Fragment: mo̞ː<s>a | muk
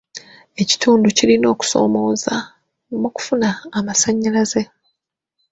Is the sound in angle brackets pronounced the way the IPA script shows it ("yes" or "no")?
no